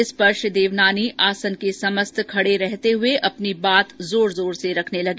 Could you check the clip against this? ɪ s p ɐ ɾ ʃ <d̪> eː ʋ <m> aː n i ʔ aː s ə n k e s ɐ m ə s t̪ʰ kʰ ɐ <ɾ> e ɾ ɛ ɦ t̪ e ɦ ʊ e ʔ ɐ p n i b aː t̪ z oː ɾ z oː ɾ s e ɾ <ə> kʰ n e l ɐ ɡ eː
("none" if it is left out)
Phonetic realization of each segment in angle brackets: d̪, n, ɽ, ɐ

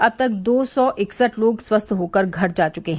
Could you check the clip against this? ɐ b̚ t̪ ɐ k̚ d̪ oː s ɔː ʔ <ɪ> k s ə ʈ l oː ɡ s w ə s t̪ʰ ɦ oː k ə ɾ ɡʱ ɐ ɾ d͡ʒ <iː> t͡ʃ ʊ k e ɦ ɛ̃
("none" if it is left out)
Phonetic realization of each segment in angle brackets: ɪ, aː

